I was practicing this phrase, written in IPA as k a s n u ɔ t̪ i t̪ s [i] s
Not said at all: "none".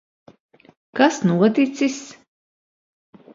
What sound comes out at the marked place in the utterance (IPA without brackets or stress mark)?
i